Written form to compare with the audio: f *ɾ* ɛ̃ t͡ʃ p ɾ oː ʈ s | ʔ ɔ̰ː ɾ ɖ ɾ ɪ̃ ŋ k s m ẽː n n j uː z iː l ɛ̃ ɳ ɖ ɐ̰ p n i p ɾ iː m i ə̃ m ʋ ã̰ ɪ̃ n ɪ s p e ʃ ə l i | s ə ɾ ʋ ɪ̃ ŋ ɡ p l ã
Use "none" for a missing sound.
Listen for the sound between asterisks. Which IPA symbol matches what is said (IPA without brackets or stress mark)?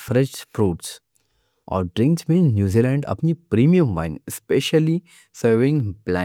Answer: ɾ